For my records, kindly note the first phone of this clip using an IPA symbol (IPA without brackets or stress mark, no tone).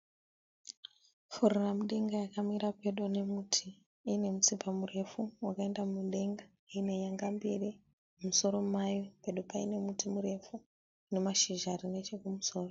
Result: f